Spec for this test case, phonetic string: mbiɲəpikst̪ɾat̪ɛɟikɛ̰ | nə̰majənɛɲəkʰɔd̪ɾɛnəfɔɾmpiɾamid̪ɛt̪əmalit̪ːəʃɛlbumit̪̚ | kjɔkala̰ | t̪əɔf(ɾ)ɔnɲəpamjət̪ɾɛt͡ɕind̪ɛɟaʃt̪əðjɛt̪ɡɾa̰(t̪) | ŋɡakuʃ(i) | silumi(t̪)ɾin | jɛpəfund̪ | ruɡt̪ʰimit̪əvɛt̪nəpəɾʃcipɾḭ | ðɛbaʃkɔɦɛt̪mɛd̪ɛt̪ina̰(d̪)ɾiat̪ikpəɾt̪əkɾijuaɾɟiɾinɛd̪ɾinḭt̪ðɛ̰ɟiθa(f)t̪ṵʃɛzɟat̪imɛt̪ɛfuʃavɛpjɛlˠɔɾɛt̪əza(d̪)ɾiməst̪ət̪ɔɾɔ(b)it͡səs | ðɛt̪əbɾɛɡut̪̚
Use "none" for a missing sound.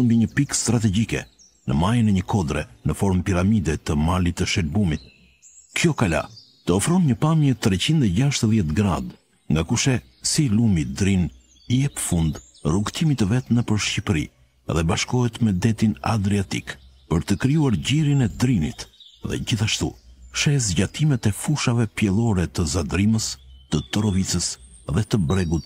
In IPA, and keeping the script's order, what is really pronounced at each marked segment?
ɾ, d̪, ɛ, d̪, d̪, ʃ, d̪, v

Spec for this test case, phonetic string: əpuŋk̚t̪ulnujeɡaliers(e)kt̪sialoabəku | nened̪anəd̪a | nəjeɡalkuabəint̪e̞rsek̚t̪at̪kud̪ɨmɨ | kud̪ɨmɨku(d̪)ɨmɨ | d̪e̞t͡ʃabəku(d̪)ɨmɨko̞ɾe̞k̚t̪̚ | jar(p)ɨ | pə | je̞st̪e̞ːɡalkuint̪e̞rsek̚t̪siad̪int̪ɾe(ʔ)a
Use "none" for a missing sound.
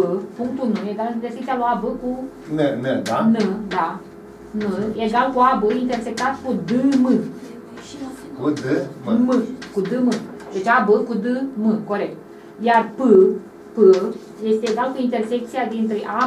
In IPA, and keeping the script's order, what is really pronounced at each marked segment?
e, d̪, d̪, p, ʔ

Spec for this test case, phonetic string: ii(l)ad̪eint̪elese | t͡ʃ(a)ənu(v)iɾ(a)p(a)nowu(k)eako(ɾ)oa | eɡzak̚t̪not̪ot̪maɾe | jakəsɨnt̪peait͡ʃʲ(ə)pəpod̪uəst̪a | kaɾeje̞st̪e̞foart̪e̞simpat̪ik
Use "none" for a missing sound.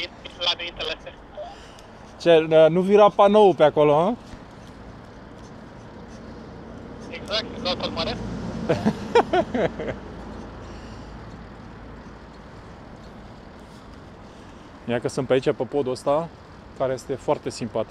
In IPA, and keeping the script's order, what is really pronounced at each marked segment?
l, e, v, a, a, p, l, a

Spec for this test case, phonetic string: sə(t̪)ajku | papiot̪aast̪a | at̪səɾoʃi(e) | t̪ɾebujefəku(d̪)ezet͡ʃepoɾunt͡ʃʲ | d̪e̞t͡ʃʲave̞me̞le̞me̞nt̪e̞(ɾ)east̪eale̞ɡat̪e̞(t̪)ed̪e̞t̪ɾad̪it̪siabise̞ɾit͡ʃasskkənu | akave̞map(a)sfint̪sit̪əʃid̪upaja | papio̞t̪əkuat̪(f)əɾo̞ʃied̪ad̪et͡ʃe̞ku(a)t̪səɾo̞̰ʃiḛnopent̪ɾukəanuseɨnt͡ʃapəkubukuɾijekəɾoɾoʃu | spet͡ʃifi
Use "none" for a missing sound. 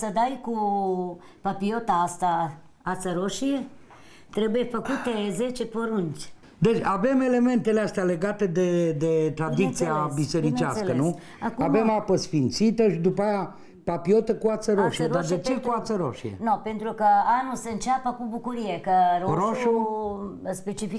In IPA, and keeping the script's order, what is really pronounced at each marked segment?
d̪, e, t̪, l, d̪, ə, s, a

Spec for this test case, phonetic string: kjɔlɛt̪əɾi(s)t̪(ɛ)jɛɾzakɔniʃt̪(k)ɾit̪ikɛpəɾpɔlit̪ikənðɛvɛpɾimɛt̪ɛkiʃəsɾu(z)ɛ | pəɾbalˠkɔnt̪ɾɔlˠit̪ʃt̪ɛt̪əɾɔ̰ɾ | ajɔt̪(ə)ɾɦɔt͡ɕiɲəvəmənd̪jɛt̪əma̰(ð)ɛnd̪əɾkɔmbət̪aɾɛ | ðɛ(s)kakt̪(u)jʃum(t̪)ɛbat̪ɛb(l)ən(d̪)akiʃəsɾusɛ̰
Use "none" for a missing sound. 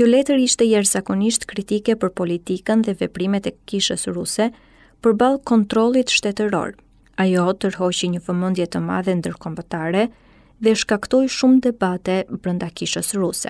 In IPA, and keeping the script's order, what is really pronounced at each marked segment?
ʃ, ɛ, k, s, ə, ð, ʃ, ɔ, d̪, ɾ, d̪

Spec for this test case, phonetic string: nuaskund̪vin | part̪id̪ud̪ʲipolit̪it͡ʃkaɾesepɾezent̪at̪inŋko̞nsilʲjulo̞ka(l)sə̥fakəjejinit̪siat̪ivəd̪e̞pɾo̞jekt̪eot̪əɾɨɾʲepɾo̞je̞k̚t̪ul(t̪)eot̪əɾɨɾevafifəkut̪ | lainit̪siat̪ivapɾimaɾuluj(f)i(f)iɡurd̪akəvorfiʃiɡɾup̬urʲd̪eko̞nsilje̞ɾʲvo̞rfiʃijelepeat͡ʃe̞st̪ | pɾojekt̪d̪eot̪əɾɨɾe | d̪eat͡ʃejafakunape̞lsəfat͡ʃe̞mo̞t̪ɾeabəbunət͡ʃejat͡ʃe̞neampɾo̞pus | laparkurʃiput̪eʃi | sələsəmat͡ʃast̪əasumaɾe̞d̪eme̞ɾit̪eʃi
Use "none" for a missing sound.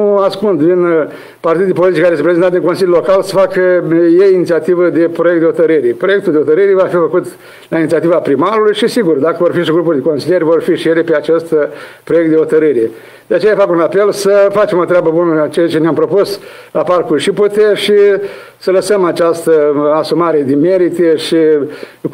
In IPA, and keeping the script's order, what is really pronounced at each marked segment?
l, d̪, ʃ, s

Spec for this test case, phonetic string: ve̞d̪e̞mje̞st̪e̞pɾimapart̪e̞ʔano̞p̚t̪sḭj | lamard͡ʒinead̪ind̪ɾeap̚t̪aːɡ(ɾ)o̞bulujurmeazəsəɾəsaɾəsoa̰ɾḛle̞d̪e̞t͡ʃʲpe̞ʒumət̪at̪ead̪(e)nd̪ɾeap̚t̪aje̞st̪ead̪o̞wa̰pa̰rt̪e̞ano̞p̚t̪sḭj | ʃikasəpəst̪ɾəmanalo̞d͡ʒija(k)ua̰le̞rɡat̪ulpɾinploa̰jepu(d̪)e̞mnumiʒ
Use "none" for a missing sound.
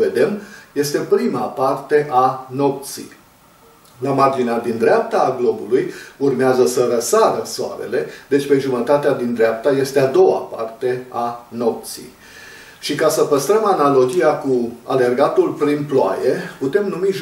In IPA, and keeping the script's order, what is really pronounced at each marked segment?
l, i, k, t̪

